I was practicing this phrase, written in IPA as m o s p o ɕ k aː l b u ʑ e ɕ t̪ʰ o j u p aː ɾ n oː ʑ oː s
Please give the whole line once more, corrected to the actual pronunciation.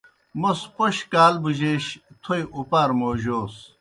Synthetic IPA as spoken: m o s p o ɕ k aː l b u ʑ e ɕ t̪ʰ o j u p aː ɾ m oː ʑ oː s

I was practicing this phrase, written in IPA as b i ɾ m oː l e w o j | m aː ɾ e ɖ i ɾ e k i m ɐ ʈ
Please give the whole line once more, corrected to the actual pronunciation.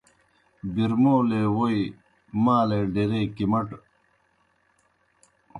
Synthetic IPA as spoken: b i ɾ m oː l e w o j | m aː l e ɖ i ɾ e k i m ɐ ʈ

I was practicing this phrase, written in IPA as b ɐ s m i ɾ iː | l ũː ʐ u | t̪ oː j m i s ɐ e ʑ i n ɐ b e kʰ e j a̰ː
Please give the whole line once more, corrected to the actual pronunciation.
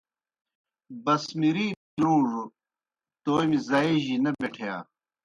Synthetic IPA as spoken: b ɐ s m i ɾ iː | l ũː ʐ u | t̪ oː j m i z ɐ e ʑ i n ɐ b e ʈʰ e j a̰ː

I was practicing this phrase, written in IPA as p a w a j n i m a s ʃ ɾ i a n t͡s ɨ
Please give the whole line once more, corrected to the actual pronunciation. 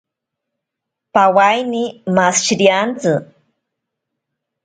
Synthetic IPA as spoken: p a w a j n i m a s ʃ ɾ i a n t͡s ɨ

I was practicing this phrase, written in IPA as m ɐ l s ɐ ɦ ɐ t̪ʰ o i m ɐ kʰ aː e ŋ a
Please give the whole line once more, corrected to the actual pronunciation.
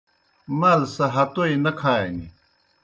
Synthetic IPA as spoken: m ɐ l s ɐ ɦ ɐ t̪ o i n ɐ kʰ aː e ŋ i

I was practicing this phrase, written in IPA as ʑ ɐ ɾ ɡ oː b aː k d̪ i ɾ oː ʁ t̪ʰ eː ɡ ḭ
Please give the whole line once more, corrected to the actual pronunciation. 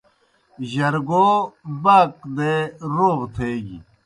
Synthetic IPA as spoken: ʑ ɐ ɾ ɡ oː b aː k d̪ e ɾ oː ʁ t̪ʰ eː ɡ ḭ

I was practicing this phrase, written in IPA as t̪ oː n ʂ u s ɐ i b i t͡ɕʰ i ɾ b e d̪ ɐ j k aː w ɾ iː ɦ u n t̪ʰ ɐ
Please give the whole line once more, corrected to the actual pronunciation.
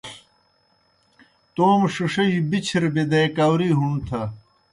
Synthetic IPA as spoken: t̪ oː m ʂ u ʂ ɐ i b i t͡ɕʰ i ɾ b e d̪ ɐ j k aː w ɾ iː ɦ u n t̪ʰ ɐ

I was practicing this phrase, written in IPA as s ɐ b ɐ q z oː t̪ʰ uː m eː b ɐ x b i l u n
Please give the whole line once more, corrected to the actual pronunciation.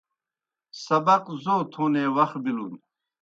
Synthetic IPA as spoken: s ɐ b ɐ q z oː t̪ʰ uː n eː w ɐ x b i l u n

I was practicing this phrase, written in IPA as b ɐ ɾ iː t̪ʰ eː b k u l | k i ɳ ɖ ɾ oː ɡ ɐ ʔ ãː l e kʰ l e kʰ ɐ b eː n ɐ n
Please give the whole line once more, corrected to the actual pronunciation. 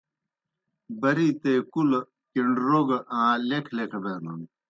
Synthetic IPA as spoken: b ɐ ɾ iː t̪ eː k u l | k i ɳ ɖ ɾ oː ɡ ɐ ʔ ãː l e kʰ l e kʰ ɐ b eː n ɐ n

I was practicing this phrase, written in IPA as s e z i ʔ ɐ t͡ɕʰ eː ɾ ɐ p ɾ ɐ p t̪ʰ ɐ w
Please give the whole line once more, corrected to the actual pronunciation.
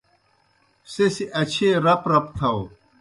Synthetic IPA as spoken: s e s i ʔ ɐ t͡ɕʰ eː ɾ ɐ p ɾ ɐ p t̪ʰ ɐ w

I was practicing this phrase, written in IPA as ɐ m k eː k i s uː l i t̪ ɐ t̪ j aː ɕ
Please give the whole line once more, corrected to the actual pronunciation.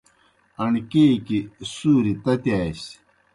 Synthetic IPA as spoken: ɐ ɳ k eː k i s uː ɾ i t̪ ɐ t̪ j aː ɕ

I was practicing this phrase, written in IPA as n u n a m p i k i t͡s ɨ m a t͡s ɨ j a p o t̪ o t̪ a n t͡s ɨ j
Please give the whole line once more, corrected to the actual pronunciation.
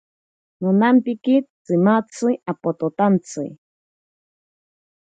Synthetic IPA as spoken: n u n a m p i k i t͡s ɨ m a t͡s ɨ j a p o t̪ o t̪ a n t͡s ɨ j

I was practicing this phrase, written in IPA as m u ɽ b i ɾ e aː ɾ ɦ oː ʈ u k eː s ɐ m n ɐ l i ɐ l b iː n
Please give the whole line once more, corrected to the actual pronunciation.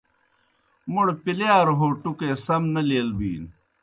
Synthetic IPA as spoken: m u ɽ p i l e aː ɾ ɦ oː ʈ u k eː s ɐ m n ɐ l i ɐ l b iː n

